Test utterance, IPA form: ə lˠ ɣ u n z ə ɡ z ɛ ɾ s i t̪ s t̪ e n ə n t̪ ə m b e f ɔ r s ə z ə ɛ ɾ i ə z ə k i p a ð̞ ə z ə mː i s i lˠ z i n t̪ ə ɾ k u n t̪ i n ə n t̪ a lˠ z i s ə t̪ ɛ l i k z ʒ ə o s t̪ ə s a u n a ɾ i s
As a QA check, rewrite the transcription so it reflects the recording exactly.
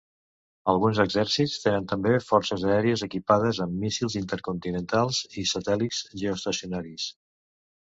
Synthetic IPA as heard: ə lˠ ɣ u n z ə ɡ z ɛ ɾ s i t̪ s t̪ e n ə n t̪ ə m b e f ɔ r s ə z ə ɛ ɾ i ə z ə k i p a ð̞ ə z ə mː i s i lˠ z i n t̪ ə ɾ k u n t̪ i n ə n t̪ a lˠ z i s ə t̪ ɛ l i k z ʒ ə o s t̪ ə s i u n a ɾ i s